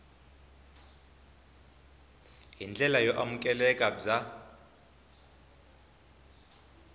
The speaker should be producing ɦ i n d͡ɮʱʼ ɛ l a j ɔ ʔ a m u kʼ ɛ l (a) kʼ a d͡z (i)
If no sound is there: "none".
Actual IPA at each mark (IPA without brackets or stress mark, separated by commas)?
ɛ, a